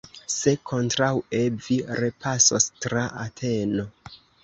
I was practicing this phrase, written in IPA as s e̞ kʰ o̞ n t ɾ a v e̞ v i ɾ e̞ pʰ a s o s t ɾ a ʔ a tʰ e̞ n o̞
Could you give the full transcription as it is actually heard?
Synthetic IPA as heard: s e̞ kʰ o̞ n t ɾ a w e̞ v i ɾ e̞ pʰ a s o s t ɾ a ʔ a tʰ e̞ n o̞